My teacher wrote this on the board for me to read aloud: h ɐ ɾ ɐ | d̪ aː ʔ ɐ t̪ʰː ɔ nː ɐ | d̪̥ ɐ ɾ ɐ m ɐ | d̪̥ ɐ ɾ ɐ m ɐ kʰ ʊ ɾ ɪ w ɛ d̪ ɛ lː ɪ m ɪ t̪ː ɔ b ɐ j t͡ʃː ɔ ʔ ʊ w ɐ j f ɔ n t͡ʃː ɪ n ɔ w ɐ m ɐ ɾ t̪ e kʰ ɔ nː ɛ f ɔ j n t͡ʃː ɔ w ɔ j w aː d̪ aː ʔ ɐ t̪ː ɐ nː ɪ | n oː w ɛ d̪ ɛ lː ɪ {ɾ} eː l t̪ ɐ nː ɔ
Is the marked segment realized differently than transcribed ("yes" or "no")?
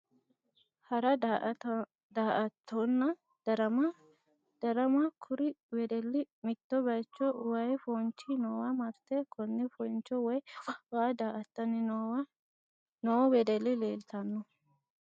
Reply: yes